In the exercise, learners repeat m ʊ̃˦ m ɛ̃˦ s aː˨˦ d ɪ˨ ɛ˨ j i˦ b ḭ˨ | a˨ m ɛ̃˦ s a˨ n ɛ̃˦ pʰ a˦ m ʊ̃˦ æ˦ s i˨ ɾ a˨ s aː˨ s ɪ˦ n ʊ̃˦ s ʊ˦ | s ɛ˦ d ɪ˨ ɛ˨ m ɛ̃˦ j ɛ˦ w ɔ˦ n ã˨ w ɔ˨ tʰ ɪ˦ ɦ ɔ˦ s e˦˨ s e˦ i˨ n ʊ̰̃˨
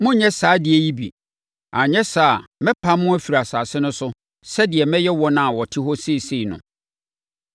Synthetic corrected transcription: m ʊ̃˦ ɲ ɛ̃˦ s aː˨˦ d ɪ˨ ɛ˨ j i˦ b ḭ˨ | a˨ ɲ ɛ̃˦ s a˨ m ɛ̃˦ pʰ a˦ m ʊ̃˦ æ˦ f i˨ ɾ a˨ s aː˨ s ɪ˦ n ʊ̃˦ s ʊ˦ | s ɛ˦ d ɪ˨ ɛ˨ m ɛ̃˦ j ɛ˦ w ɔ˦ n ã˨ w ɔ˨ tʰ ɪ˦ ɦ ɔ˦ s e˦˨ s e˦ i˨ n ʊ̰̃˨